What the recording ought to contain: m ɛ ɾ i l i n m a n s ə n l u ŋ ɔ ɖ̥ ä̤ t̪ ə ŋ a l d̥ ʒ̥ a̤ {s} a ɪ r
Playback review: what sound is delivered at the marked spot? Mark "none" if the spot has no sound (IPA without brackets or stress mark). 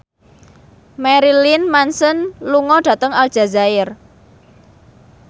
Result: z